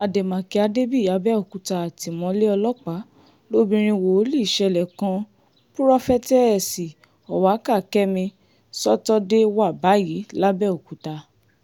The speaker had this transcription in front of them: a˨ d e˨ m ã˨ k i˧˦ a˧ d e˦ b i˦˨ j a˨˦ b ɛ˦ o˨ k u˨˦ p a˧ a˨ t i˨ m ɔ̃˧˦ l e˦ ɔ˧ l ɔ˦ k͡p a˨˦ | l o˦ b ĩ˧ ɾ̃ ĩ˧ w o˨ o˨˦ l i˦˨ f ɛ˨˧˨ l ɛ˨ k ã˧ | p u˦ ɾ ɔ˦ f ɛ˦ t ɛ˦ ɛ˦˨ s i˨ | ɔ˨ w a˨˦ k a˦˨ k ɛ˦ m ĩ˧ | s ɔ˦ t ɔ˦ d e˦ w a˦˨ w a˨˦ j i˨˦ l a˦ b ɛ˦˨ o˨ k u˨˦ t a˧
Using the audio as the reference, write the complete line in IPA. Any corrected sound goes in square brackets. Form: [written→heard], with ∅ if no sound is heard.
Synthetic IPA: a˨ d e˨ m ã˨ k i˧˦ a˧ d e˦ b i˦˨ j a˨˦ b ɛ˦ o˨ k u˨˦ [p→t] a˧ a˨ t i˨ m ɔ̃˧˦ l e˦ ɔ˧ l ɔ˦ k͡p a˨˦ | l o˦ b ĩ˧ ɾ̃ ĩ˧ w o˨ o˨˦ l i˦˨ [f→ʃ] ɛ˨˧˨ l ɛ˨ k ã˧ | p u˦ ɾ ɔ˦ f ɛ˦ t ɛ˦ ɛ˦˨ s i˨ | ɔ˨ w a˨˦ k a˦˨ k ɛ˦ m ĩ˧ | s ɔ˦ t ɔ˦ d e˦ w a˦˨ [w→b] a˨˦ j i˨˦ l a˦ b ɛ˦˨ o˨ k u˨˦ t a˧